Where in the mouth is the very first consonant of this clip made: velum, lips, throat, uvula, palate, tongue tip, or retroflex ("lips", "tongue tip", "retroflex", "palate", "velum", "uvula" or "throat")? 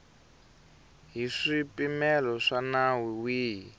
throat